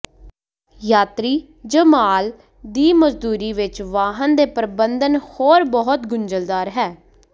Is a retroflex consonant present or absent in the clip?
absent